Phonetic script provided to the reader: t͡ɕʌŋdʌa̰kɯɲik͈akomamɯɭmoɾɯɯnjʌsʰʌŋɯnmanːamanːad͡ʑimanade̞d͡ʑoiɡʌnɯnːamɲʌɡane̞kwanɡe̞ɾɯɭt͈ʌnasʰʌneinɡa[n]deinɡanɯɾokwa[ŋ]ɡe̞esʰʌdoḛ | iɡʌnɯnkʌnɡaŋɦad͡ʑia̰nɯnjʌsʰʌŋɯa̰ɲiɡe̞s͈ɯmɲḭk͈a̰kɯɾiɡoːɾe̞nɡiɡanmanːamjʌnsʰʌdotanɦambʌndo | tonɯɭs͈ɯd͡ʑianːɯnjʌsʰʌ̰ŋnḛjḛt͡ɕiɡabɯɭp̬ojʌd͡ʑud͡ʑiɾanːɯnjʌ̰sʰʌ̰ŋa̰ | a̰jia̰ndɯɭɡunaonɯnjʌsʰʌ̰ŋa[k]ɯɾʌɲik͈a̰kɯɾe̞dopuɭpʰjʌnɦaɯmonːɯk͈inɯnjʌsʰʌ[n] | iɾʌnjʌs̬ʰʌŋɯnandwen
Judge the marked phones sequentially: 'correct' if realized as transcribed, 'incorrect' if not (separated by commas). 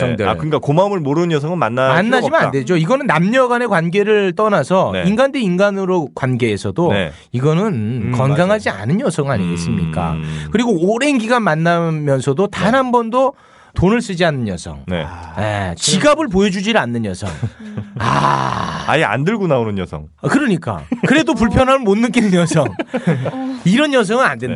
correct, incorrect, correct, incorrect